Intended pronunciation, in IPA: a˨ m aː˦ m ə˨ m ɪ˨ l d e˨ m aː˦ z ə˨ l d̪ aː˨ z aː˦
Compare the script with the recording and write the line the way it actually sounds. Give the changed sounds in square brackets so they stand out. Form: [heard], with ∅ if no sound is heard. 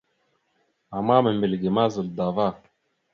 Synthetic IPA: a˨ m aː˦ m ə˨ m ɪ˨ l [ɡ] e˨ m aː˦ z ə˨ l d̪ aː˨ [v] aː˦